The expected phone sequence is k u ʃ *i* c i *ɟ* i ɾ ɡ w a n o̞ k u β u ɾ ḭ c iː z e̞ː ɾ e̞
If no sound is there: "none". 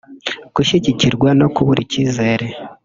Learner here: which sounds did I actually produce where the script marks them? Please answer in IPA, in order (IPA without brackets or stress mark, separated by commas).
i, c